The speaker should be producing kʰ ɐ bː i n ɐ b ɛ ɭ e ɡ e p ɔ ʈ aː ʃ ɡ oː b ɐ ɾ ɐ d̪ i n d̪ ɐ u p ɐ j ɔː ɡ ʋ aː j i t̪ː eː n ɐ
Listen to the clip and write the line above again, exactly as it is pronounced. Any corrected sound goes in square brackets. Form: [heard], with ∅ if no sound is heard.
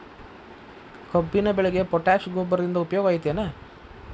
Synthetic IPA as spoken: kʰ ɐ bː i n ɐ b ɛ ɭ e ɡ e p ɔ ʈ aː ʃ ɡ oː b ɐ ɾ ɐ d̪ i n d̪ ɐ u p ɐ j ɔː ɡ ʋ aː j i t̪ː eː n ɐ